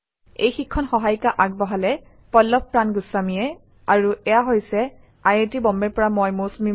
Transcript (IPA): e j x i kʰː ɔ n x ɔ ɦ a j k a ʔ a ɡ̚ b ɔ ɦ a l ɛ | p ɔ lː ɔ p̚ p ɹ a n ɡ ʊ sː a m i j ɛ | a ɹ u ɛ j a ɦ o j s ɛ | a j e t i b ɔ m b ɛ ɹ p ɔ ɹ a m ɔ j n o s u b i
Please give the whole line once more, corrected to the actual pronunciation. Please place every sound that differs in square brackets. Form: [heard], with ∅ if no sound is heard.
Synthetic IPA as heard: e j x i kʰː ɔ n x ɔ ɦ a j k a ʔ a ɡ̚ b ɔ ɦ a l ɛ | p ɔ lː ɔ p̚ p ɹ a n ɡ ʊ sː a m i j ɛ | a ɹ u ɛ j a ɦ o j s ɛ | a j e t i b ɔ m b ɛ ɹ p ɔ ɹ a m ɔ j [m] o s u [m] i

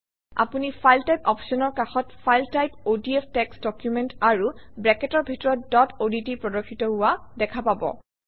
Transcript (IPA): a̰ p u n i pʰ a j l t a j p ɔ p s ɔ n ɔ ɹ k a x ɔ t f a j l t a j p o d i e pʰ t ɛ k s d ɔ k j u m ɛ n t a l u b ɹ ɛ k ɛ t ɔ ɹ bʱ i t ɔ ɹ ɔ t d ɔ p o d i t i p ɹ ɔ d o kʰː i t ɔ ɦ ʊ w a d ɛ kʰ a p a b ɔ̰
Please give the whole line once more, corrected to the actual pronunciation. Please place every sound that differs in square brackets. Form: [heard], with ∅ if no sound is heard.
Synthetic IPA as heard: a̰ p u n i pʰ a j l t a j p ɔ p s ɔ n ɔ ɹ k a x ɔ t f a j l t a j p o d i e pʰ t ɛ k s d ɔ k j u m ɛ n t a [ɹ] u b ɹ ɛ k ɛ t ɔ ɹ bʱ i t ɔ ɹ ɔ t d ɔ [t] o d i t i p ɹ ɔ d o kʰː i t ɔ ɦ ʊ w a d ɛ kʰ a p a b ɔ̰

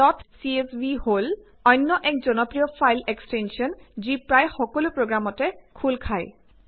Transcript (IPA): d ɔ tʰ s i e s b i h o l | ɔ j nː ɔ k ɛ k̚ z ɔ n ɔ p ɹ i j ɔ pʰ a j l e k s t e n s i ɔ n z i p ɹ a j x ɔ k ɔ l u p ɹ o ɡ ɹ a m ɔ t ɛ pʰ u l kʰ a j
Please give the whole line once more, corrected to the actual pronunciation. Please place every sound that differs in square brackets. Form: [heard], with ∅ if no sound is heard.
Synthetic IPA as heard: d ɔ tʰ s i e s b i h o l | ɔ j nː ɔ [ʔ] ɛ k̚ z ɔ n ɔ p ɹ i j ɔ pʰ a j l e k s t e n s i ɔ n z i p ɹ a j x ɔ k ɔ l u p ɹ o ɡ ɹ a m ɔ t ɛ [kʰ] u l kʰ a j

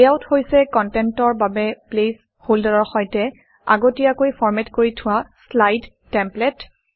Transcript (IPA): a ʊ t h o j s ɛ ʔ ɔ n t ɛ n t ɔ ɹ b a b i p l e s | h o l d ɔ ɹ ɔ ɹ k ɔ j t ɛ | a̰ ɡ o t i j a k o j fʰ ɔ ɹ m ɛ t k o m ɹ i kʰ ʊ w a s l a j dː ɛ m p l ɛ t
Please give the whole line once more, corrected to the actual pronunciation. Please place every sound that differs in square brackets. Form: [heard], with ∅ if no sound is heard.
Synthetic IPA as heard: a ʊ t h o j s ɛ [k] ɔ n t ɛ n t ɔ ɹ b a b [ɛ] p l e s | h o l d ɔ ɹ ɔ ɹ [x] ɔ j t ɛ | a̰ ɡ o t i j a k o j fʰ ɔ ɹ m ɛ t k o [∅] ɹ i [tʰ] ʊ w a s l a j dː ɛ m p l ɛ t

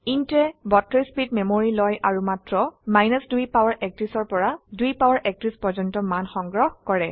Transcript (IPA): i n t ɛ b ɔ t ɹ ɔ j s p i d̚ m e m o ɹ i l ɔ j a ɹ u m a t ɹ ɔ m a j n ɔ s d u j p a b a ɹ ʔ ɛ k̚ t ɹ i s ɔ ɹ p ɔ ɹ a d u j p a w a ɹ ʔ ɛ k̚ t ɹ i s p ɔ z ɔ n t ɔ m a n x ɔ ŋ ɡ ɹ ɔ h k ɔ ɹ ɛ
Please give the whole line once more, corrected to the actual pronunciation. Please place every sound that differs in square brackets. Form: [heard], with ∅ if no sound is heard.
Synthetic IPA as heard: i n t ɛ b ɔ t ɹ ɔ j s p i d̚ m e m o ɹ i l ɔ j a ɹ u m a t ɹ ɔ m a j n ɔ s d u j p a [w] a ɹ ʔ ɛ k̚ t ɹ i s ɔ ɹ p ɔ ɹ a d u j p a w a ɹ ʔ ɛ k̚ t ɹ i s p ɔ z ɔ n t ɔ m a n x ɔ ŋ ɡ ɹ ɔ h k ɔ ɹ ɛ

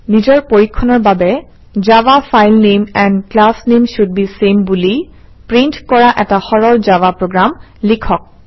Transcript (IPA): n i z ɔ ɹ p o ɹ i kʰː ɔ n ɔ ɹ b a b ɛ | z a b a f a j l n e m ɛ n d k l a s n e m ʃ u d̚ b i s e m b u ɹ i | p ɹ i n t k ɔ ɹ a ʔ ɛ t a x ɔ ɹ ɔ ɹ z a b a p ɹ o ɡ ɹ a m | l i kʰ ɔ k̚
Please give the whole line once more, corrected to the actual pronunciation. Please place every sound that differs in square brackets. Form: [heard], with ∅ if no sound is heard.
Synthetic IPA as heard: n i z ɔ ɹ p o ɹ i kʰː ɔ n ɔ ɹ b a b ɛ | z a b a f a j l n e m ɛ n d k l a s n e m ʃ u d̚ b i s e m b u [l] i | p ɹ i n t k ɔ ɹ a ʔ ɛ t a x ɔ ɹ ɔ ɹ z a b a p ɹ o ɡ ɹ a m | l i kʰ ɔ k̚

